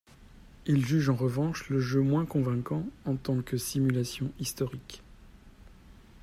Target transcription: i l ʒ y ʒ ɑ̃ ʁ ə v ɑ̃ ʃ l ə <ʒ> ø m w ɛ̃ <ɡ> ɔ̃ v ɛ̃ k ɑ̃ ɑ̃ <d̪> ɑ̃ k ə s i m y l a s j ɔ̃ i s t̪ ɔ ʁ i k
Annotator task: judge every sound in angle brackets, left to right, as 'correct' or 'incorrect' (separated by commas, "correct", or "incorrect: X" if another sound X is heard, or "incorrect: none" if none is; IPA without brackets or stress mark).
correct, incorrect: k, incorrect: t̪